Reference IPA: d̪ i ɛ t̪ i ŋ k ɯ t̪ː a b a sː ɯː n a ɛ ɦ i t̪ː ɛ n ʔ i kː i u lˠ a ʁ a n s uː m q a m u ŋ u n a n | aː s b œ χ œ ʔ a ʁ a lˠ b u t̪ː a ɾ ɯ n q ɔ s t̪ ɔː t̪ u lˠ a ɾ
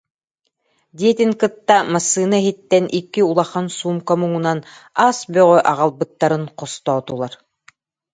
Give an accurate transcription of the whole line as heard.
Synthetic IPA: d̪ i ɛ t̪ i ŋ k ɯ t̪ː a m a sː ɯː n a ɛ ɦ i t̪ː ɛ n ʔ i kː i u lˠ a χ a n s uː m k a m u ŋ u n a n | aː s b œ ʁ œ ʔ a ʁ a lˠ b ɯ t̪ː a ɾ ɯ n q ɔ s t̪ ɔː t̪ u lˠ a ɾ